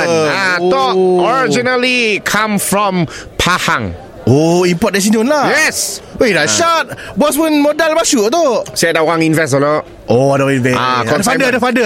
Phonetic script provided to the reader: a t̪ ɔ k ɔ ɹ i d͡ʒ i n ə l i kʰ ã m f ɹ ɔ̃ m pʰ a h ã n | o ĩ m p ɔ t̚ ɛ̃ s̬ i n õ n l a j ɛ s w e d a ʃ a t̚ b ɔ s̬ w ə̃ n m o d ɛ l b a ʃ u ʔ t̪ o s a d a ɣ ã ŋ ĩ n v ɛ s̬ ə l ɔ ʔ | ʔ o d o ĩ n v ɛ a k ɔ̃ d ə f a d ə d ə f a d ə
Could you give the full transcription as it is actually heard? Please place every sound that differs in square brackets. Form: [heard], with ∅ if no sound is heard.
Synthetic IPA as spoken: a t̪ ɔ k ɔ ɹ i d͡ʒ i n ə l i kʰ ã m f ɹ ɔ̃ m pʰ a h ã [ŋ] | o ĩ m p ɔ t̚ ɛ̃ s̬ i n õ n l a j ɛ s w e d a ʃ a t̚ b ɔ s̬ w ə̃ n m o d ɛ l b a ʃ u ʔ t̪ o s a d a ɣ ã ŋ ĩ n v ɛ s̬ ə l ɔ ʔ | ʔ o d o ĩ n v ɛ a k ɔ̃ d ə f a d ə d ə f a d ə